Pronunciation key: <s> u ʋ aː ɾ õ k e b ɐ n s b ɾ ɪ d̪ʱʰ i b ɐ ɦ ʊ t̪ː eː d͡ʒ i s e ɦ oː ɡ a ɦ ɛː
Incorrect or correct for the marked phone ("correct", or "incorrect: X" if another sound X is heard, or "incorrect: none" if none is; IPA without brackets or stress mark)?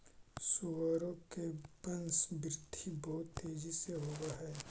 correct